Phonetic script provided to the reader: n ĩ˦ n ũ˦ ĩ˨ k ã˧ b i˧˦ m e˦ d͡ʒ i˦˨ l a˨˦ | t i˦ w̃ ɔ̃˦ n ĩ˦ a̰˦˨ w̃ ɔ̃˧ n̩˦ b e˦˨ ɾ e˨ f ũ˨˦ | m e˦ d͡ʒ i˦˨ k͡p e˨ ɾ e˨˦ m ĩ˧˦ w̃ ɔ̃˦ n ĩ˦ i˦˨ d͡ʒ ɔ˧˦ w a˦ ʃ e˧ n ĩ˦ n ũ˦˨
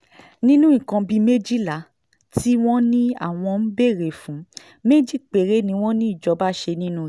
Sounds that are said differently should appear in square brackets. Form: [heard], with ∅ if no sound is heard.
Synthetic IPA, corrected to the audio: n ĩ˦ n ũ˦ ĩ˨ k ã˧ b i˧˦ m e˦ d͡ʒ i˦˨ l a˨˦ | t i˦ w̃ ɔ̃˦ n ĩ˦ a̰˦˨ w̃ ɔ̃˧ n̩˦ b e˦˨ ɾ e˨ f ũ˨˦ | m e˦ d͡ʒ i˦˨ k͡p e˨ ɾ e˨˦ [n] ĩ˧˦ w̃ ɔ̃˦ n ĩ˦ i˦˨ d͡ʒ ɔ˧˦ [b] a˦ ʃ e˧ n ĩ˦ n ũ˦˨